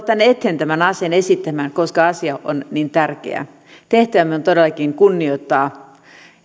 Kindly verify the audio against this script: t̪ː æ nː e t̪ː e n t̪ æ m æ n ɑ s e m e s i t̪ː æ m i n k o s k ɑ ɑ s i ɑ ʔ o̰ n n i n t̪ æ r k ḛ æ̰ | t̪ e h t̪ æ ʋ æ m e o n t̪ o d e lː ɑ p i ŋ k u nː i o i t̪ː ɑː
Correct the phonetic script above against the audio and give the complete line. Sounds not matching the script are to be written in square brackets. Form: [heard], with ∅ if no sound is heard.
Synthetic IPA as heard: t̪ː æ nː e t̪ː e n t̪ æ m æ n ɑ s e [n] e s i t̪ː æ m [æ] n k o s k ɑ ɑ s i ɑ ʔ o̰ n n i n t̪ æ r k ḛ æ̰ | t̪ e h t̪ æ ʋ æ m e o n t̪ o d e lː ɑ [k] i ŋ k u nː i o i t̪ː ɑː